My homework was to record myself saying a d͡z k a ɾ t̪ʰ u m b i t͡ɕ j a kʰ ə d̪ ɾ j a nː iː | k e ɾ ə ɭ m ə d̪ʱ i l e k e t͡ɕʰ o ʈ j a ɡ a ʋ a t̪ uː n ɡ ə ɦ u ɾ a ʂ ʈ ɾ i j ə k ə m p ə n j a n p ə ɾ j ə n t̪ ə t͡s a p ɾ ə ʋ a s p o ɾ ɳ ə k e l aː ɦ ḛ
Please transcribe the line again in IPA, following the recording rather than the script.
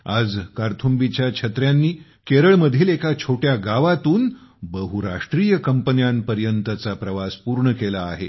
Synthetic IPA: a d͡z k a ɾ t̪ʰ u m b i t͡ɕ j a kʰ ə t̪ ɾ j a nː iː | k e ɾ ə ɭ m ə d̪ʱ iː l e k a t͡ɕʰ o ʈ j a ɡ a ʋ a t̪ uː n b ə ɦ u ɾ a ʂ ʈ ɾ i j ə k ə m p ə n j a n p ə ɾ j ə n t̪ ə t͡s a p ɾ ə ʋ a s p u ɾ ɳ ə k e l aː ɦ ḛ